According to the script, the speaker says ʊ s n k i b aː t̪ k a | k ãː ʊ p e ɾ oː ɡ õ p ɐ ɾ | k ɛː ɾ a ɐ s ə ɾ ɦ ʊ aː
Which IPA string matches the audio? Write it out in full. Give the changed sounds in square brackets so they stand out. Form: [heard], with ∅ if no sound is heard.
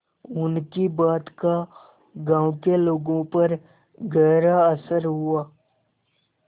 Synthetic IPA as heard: ʊ [∅] n k i b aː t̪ k a | [ɡ] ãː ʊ [k] e [l] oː ɡ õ p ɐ ɾ | [ɡ] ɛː ɾ a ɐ s ə ɾ ɦ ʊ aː